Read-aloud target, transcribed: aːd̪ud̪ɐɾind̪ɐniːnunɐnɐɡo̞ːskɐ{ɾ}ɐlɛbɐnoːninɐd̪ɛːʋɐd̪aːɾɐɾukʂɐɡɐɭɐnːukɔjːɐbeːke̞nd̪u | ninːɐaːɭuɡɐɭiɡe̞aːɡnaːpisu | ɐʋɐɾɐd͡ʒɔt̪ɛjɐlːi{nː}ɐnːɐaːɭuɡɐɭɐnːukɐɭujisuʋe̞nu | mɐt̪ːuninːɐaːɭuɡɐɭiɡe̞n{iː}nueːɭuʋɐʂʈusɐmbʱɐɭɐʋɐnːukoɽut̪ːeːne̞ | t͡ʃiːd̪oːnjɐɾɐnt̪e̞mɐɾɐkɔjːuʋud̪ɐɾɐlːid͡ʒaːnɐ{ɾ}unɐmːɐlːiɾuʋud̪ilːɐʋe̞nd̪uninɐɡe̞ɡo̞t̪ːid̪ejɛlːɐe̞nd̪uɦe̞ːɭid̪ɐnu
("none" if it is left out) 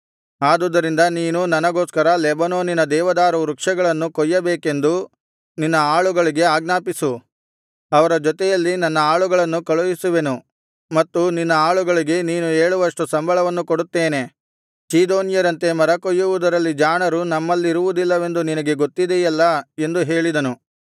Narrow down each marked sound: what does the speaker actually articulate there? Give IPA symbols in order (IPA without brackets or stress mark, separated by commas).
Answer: ɾ, n, iː, ɾ